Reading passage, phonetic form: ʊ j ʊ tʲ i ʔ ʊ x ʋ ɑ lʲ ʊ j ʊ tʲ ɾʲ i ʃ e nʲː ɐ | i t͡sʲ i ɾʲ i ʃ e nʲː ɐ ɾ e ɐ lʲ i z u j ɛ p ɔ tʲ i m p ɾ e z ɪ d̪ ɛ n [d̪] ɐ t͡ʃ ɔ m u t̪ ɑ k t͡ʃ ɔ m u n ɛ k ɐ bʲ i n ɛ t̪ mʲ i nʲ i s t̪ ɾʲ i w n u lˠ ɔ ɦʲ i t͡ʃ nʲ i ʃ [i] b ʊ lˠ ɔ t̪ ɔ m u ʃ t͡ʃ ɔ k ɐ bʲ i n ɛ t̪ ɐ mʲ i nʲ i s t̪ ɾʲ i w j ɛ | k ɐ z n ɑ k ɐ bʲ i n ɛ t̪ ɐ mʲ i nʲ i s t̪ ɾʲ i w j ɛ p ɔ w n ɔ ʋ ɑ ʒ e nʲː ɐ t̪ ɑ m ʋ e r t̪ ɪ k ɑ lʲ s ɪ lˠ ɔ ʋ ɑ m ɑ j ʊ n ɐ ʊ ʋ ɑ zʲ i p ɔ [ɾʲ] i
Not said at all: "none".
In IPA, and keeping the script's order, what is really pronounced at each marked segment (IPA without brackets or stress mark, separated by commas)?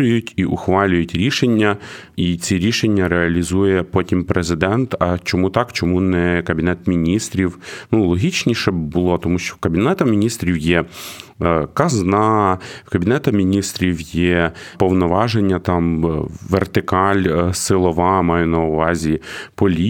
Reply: t̪, ɛ, lʲ